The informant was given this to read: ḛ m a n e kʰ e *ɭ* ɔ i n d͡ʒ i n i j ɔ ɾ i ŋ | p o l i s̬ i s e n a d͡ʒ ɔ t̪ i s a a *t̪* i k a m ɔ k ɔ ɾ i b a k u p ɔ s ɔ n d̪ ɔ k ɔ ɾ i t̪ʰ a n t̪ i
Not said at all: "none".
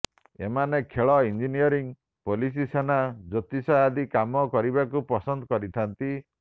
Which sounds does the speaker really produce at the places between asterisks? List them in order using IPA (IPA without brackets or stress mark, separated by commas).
ɭ, d̪